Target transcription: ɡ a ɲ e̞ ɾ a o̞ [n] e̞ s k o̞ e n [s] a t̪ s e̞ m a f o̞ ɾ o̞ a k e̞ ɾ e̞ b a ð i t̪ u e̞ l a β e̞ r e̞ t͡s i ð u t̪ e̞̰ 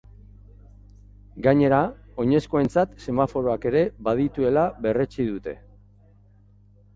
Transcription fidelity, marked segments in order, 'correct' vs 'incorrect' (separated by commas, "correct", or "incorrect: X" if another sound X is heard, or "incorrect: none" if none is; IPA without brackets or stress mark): incorrect: ɲ, incorrect: t͡s